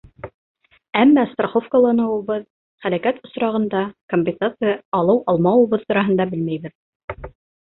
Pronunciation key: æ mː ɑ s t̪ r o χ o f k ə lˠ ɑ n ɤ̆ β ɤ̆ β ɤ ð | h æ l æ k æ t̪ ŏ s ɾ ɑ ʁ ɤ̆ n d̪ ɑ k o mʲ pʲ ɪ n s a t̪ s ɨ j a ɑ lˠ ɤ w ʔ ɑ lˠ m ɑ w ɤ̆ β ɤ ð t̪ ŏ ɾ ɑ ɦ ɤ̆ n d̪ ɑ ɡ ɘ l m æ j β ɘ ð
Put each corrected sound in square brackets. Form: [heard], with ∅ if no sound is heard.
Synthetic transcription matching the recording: æ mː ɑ s t̪ r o χ o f k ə lˠ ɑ n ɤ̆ [w] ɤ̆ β ɤ ð | [χ] æ l æ k æ t̪ ŏ s ɾ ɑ ʁ ɤ̆ n d̪ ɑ k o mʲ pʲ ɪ n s a t̪ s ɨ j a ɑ lˠ ɤ w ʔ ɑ lˠ m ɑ w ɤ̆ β ɤ ð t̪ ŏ ɾ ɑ ɦ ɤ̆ n d̪ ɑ [b] ɘ l m æ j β ɘ ð